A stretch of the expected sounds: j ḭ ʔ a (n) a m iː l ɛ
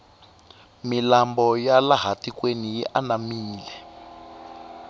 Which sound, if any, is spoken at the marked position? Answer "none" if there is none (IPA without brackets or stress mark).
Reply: n